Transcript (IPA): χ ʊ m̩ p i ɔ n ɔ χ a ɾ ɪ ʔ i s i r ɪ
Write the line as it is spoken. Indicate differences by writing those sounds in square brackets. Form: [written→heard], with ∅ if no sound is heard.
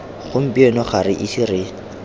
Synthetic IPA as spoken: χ ʊ m̩ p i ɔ n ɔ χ a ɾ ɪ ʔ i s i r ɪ